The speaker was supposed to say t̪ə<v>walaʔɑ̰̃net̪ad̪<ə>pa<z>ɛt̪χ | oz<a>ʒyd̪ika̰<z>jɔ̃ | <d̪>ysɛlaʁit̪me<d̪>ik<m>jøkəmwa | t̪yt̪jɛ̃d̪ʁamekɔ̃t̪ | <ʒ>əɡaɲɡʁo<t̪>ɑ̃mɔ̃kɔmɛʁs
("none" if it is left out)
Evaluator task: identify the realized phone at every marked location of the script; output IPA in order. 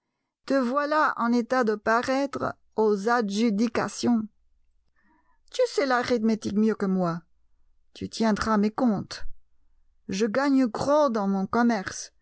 v, ə, ʁ, a, s, t̪, t̪, m, ʒ, d̪

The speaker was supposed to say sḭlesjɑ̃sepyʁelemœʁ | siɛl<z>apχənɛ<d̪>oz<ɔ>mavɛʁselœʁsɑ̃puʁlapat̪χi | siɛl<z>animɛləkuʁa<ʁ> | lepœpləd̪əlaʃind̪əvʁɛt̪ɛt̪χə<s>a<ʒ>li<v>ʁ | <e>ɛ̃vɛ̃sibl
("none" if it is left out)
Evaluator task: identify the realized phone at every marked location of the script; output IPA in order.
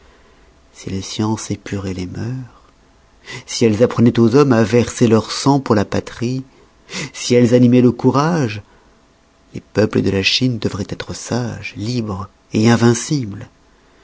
z, t̪, ɔ, z, ʒ, s, ʒ, b, e

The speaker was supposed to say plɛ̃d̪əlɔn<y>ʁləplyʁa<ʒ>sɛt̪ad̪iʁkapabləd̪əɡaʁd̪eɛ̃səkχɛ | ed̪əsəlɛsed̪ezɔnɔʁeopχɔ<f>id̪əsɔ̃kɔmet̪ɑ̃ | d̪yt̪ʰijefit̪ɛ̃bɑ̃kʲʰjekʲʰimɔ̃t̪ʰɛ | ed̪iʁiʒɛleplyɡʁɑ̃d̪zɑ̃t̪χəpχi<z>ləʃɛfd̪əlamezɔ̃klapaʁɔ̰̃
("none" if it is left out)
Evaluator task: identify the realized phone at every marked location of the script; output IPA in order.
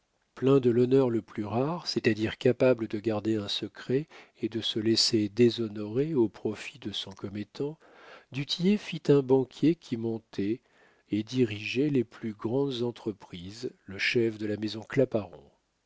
œ, ʁ, f, z

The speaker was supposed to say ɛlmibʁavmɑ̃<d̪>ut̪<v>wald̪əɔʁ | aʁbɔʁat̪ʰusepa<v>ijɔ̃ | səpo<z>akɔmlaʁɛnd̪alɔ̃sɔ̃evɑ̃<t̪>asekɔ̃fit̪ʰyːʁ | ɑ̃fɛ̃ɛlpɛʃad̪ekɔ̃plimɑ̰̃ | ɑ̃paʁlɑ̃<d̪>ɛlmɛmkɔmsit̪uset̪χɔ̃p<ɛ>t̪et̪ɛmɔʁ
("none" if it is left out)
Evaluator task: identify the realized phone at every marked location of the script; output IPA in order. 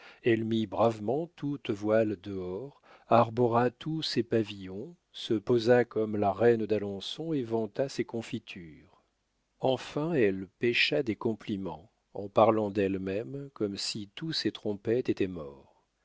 t̪, v, v, z, t̪, d̪, ɛ

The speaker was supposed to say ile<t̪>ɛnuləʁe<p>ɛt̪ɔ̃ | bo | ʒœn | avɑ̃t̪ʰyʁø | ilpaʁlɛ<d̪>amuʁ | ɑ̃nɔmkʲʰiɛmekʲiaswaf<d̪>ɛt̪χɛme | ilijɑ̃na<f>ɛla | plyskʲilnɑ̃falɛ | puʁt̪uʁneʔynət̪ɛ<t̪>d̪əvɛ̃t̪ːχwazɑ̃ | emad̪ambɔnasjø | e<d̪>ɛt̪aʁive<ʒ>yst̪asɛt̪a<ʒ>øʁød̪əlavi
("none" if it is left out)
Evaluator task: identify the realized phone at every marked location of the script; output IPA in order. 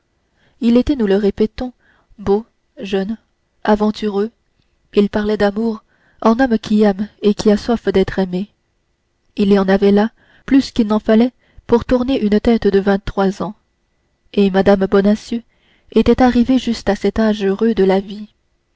t̪, p, d̪, d̪, v, t̪, t̪, ʒ, ʒ

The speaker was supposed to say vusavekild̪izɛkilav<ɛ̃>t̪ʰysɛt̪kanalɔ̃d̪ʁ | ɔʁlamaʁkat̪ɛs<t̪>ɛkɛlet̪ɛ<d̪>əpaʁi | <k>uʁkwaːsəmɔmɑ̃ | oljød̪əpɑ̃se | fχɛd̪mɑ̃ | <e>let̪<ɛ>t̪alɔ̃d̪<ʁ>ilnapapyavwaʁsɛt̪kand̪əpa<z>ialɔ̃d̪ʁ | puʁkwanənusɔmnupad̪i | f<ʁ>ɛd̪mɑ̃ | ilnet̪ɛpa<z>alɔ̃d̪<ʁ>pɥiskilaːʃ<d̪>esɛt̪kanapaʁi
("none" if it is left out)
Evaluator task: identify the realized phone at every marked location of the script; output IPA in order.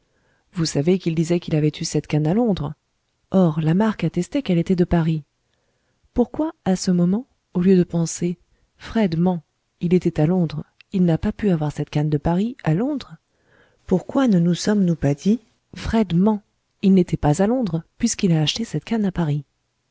ɛ, t̪, d̪, p, i, ɛ, ʁ, ʁ, χ, z, ʁ, t̪

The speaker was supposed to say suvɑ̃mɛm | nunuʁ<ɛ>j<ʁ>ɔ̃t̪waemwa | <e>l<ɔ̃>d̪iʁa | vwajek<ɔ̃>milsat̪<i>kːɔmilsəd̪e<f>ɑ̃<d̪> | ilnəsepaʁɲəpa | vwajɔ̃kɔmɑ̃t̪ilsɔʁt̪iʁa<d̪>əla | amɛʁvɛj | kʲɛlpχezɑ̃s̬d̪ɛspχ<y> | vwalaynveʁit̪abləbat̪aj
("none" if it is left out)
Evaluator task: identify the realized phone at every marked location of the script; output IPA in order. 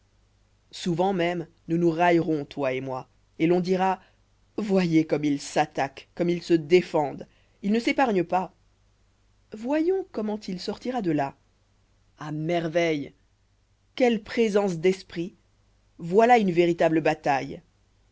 a, ʁ, e, ɔ̃, ɔ, a, f, d̪, d̪, i

